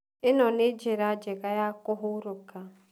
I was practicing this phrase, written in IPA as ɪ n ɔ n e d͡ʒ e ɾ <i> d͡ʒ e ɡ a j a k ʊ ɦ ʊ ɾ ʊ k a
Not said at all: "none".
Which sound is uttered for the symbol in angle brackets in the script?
a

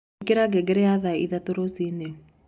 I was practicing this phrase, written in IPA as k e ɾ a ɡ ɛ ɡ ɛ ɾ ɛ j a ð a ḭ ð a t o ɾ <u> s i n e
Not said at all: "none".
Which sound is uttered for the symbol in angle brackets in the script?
o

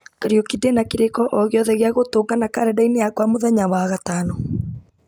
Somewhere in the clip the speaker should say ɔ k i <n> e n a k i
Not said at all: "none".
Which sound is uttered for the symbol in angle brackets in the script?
d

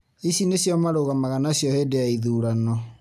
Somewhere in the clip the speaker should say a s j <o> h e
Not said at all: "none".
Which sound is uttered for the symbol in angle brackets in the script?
ɔ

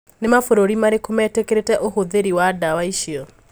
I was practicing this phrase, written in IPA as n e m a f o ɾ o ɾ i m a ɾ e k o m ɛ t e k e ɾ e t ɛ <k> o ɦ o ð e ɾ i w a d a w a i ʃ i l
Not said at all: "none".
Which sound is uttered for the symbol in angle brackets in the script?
ʔ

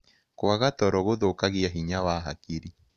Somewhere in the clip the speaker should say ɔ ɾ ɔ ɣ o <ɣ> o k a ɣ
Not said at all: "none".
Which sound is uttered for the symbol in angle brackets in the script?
ð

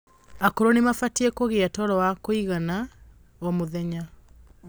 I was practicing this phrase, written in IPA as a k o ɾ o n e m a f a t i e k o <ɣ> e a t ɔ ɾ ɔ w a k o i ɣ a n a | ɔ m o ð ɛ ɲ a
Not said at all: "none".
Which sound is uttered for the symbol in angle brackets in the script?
ɣ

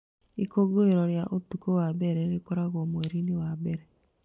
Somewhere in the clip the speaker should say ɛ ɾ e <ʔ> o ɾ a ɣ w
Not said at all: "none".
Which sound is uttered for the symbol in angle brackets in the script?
k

